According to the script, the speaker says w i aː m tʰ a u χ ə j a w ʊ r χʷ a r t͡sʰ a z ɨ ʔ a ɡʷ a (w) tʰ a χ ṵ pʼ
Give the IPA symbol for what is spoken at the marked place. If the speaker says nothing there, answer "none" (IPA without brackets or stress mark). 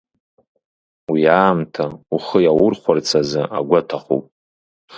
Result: none